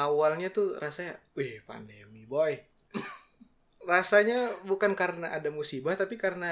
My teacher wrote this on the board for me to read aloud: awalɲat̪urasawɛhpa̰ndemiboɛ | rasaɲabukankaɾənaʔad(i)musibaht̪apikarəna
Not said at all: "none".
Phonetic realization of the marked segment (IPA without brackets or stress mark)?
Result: a